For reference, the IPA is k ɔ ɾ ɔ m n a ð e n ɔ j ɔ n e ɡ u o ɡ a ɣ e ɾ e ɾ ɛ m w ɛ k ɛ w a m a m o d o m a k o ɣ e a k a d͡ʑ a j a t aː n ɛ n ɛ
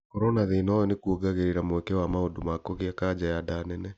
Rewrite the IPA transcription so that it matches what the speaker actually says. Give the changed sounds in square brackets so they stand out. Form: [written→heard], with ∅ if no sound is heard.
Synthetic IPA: k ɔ ɾ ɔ [m→∅] n a ð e n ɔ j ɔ n e [ɡ→k] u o ɡ a ɣ e ɾ e ɾ [ɛ→a] m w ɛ k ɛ w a m a [m→∅] o d o m a k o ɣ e a k a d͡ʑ a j a [t→d] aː n ɛ n ɛ